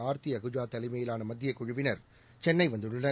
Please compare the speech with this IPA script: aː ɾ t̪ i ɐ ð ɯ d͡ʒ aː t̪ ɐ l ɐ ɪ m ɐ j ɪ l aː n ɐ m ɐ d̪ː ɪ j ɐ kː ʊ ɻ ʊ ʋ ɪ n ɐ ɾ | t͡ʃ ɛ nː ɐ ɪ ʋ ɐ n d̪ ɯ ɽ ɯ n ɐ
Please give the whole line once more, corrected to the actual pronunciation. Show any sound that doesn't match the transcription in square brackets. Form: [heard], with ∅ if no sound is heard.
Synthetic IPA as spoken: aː ɾ t̪ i ɐ [ɣ] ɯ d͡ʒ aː t̪ ɐ l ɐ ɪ m ɐ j ɪ l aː n ɐ m ɐ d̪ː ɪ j ɐ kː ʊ ɻ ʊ ʋ ɪ n ɐ ɾ | t͡ʃ ɛ nː ɐ ɪ ʋ ɐ n d̪ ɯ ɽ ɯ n ɐ